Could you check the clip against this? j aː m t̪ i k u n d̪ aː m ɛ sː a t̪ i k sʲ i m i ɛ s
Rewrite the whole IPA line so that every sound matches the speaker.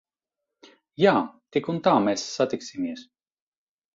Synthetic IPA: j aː t̪ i k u n t̪ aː m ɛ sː a t̪ i k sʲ i m i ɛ s

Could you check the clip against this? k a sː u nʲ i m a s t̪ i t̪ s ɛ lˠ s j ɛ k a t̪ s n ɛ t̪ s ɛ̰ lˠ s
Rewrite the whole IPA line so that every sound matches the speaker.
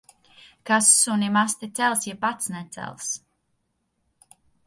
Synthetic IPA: k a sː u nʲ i m a s t̪ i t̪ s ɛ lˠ s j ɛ p a t̪ s n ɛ t̪ s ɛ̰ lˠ s

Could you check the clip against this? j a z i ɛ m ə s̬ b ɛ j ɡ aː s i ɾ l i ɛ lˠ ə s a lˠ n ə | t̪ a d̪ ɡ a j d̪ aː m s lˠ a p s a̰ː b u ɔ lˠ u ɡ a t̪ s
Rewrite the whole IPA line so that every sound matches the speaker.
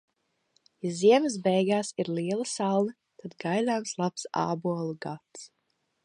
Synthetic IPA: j a z i ɛ m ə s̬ b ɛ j ɡ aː s i ɾ l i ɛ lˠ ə s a lˠ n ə | t̪ a d̪ ɡ a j d̪ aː m s lˠ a p s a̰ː b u ɔ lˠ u ɡ a t̪ s

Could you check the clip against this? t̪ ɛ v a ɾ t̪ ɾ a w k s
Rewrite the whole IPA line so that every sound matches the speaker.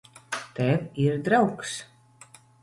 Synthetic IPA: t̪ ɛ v i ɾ d̪ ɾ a w k s

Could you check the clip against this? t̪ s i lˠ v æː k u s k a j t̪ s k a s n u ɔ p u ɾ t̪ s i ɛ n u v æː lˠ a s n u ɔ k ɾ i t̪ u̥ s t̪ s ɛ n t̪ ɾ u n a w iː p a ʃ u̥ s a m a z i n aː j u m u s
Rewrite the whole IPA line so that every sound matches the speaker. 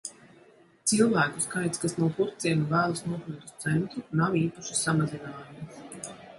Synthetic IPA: t̪ s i lˠ v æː k u s k a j t̪ s k a s n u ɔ p u ɾ t̪ s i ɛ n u v æː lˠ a s n u ɔ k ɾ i t̪ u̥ s t̪ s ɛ n t̪ ɾ u n a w iː p a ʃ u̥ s a m a z i n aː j u m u s

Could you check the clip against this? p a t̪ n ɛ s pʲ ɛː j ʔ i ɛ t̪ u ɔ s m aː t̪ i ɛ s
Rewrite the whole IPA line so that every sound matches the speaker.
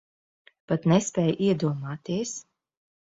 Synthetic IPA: p a t̪ n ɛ s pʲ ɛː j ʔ i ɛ d̪ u ɔ m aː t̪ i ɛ s

